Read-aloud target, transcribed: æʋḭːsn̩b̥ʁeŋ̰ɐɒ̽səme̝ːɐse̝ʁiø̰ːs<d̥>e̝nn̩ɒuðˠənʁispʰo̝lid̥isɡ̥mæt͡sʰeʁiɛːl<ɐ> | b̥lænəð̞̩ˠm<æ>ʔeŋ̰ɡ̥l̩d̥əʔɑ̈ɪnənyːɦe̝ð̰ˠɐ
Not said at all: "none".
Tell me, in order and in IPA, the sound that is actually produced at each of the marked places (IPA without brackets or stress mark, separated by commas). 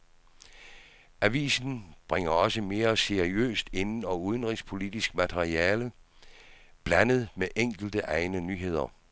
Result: d̥, ə, e